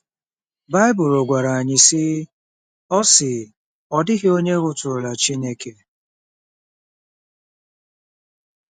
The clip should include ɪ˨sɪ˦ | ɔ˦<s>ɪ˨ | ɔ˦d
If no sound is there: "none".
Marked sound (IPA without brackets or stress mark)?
s